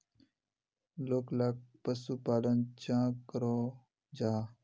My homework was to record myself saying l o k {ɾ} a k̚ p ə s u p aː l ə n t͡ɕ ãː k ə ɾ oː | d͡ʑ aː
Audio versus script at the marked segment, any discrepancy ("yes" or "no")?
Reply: yes